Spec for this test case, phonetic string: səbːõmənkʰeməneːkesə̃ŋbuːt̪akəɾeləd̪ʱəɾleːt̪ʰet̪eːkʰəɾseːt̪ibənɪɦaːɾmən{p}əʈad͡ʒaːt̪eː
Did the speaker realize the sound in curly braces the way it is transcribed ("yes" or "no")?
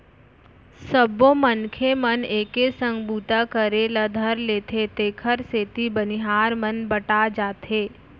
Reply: no